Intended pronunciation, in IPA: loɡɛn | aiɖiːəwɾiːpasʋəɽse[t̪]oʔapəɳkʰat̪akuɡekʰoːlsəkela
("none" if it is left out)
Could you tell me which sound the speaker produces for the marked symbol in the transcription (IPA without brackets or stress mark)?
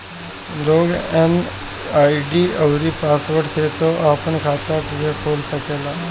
t̪